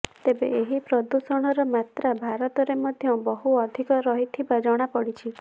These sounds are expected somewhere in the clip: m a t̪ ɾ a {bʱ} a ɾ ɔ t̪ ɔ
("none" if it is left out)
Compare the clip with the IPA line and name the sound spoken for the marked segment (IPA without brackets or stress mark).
bʱ